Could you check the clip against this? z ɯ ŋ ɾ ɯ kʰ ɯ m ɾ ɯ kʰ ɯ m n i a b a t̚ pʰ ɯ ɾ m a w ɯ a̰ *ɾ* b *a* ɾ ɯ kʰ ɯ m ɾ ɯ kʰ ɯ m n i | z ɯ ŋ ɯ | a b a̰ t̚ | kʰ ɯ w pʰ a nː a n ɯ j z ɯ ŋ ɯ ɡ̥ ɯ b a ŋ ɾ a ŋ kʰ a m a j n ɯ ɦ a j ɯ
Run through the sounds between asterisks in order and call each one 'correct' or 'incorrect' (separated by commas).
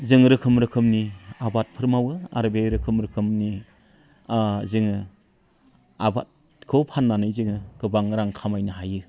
correct, incorrect